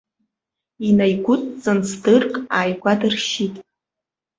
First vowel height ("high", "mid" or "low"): high